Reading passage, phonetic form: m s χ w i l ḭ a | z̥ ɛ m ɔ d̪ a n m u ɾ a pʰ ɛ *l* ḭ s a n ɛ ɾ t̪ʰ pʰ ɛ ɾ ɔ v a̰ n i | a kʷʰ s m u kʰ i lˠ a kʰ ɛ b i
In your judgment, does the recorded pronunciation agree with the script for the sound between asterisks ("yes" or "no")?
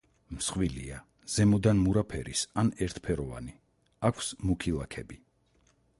no